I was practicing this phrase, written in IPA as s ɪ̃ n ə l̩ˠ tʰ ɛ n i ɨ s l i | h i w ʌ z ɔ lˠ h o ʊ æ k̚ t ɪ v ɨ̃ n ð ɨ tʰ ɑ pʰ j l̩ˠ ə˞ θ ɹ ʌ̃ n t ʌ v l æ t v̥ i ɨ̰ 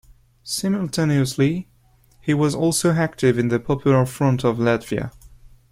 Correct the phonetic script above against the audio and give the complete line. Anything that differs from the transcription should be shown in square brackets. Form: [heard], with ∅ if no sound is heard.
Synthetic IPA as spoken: s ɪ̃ [m] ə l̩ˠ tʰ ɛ n i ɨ s l i | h i w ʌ z ɔ lˠ [s] o ʊ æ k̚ t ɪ v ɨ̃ n ð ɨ [pʰ] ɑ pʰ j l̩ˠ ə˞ [f] ɹ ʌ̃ n t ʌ v l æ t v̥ i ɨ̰

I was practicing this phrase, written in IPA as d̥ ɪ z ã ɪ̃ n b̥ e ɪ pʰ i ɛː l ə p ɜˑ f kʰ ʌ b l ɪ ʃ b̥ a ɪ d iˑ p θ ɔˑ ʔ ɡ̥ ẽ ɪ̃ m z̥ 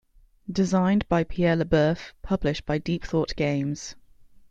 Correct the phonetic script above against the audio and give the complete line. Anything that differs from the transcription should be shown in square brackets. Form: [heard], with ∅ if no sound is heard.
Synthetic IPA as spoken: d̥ ɪ z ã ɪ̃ n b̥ [a] ɪ pʰ i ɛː l ə [b] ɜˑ f [pʰ] ʌ b l ɪ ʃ b̥ a ɪ d iˑ p θ ɔˑ ʔ ɡ̥ ẽ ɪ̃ m z̥

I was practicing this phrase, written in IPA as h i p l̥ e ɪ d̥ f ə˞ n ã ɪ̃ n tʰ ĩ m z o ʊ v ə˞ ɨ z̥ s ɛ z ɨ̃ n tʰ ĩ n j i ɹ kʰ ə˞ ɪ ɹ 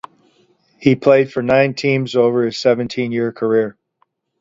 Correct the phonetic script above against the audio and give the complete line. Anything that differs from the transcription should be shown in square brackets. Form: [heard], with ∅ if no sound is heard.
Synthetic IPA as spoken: h i [pʰ] l̥ e ɪ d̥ f ə˞ n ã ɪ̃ n tʰ ĩ m z o ʊ v ə˞ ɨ z̥ s ɛ [v] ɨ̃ n tʰ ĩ n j [ɪ] ɹ kʰ ə˞ ɪ ɹ

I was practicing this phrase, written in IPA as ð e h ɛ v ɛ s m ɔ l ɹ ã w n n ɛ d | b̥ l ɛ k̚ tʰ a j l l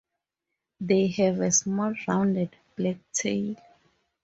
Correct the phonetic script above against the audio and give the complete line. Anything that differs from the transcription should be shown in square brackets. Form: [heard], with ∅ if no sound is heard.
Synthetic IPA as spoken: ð e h ɛ v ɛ s m ɔ l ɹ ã w n [d] ɛ d | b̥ l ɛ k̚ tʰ [e] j l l

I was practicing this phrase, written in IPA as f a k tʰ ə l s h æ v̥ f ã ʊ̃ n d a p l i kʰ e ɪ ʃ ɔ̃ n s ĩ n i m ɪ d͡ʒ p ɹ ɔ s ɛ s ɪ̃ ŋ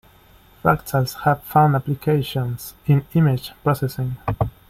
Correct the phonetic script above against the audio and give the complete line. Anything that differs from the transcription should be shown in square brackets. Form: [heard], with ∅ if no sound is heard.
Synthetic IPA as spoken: f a k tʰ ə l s h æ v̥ f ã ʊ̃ n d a p l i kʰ e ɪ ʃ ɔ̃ n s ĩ n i m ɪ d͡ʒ p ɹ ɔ s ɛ s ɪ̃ ŋ

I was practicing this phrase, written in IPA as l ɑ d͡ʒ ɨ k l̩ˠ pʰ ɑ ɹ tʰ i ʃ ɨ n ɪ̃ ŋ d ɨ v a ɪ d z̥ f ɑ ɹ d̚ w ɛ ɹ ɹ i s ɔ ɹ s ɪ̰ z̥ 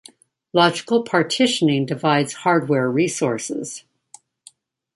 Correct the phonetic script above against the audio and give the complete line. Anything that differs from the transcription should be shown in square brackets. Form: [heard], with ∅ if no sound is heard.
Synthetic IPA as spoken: l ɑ d͡ʒ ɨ k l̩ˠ pʰ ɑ ɹ tʰ [ɪ] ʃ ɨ n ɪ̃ ŋ d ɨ v a ɪ d z̥ [h] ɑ ɹ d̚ w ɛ ɹ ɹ i s ɔ ɹ s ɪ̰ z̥

